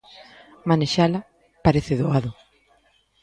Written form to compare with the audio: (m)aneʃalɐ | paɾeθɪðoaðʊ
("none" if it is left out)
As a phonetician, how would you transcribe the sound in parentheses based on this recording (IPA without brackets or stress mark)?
m